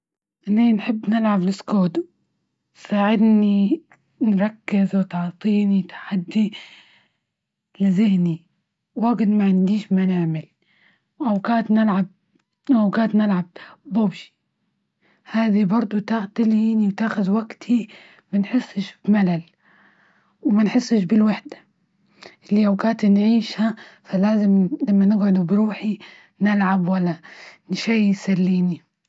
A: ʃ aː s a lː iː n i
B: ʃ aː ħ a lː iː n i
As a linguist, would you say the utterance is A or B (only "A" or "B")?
A